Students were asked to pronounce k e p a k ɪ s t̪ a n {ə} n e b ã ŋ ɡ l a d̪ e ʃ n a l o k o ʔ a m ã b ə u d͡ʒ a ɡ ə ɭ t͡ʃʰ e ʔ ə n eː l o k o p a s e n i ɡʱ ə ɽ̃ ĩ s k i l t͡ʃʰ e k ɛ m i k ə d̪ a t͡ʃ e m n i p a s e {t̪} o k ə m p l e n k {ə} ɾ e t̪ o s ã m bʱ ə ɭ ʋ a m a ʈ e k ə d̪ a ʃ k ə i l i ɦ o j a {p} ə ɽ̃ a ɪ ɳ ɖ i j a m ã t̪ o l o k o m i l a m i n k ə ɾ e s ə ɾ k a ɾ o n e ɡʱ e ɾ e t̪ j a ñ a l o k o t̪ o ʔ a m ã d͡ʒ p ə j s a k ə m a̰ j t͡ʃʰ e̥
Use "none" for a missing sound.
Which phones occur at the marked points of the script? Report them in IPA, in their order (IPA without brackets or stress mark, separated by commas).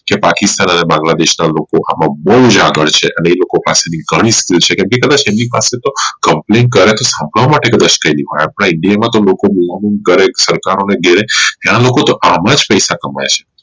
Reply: ə, t̪, ə, p